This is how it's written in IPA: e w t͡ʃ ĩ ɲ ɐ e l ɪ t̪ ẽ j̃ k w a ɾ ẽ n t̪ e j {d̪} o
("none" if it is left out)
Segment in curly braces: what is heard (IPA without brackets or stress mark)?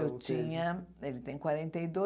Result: d̪